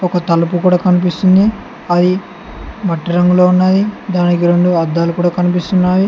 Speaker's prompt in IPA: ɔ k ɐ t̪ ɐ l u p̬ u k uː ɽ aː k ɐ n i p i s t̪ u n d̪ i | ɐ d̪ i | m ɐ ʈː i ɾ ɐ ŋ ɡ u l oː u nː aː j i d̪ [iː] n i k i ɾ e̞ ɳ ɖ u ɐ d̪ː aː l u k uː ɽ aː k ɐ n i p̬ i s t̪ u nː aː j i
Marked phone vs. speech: incorrect: aː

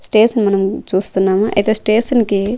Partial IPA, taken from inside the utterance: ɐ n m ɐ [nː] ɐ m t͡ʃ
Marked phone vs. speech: incorrect: n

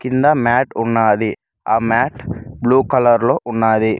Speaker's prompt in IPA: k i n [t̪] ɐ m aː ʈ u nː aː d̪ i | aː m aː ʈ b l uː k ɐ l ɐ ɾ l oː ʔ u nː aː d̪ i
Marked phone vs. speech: incorrect: d̪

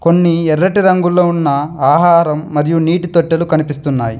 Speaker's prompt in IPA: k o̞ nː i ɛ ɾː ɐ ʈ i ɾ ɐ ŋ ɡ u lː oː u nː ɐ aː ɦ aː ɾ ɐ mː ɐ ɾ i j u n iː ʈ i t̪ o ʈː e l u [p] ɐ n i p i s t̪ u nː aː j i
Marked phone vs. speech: incorrect: k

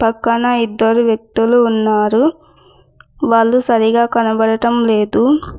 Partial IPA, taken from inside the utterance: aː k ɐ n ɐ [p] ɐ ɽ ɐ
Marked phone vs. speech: incorrect: b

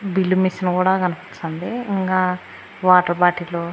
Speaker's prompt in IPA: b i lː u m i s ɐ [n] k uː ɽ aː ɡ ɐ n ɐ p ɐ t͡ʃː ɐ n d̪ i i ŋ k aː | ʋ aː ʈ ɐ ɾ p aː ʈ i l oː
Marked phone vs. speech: correct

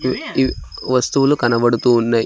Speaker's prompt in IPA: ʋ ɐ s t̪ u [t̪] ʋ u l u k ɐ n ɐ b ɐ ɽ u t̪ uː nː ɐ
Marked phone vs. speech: incorrect: none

